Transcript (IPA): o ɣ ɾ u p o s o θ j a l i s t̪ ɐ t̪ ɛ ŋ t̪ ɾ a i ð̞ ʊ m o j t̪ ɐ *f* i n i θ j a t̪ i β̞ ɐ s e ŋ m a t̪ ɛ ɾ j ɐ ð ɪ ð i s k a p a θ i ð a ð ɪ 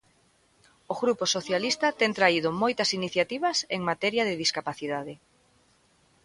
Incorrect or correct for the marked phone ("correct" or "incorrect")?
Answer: incorrect